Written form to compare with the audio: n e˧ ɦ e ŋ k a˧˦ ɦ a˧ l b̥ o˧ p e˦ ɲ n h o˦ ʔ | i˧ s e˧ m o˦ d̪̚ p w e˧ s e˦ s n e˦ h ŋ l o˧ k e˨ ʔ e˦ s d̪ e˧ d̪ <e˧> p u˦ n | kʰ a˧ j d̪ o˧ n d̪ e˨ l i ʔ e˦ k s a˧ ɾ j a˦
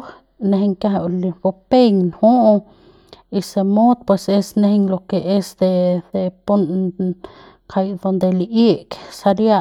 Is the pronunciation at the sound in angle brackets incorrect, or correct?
correct